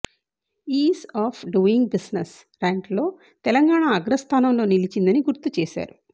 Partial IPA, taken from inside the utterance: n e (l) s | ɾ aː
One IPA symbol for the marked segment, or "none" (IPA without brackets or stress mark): none